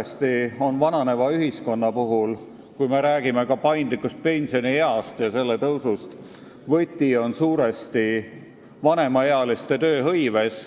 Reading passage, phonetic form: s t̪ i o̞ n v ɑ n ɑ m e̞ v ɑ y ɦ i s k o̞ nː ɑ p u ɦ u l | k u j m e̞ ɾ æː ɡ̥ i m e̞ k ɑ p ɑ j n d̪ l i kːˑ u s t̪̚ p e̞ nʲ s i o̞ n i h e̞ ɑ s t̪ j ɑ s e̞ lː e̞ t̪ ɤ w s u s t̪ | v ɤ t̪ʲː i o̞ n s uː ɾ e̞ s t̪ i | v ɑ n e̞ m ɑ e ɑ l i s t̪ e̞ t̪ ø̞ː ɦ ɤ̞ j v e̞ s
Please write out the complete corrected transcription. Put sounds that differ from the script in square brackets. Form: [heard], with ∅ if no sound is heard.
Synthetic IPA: s t̪ i o̞ n v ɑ n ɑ [n] e̞ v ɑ y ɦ i s k o̞ nː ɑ p u ɦ u l | k u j m e̞ ɾ æː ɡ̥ i m e̞ k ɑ p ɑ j n d̪ l i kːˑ u s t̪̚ p e̞ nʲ s i o̞ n i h e̞ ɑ s t̪ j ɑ s e̞ lː e̞ t̪ ɤ w s u s t̪ | v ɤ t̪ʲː i o̞ n s uː ɾ e̞ s t̪ i | v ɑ n e̞ m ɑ e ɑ l i s t̪ e̞ t̪ ø̞ː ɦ ɤ̞ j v e̞ s